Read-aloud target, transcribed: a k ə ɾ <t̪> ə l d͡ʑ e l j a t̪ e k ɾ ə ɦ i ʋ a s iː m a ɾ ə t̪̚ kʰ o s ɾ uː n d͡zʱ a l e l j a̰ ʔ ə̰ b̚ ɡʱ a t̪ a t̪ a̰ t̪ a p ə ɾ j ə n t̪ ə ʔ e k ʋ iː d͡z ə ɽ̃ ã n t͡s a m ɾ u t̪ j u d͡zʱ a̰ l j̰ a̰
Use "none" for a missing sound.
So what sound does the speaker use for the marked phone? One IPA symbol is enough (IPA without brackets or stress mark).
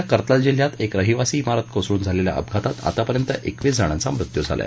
t̪